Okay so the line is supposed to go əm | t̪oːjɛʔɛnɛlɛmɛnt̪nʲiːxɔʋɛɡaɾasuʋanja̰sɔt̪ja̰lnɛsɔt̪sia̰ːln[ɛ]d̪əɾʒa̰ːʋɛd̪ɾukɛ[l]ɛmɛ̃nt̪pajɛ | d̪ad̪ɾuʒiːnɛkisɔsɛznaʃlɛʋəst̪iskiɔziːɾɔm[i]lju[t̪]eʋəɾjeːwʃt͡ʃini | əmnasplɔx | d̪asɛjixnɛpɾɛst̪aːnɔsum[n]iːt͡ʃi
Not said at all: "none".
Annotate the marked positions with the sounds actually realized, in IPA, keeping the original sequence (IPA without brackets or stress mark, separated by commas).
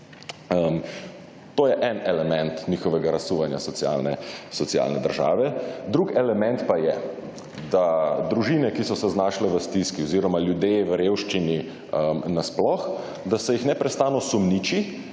ɛ, l, a, d̪, n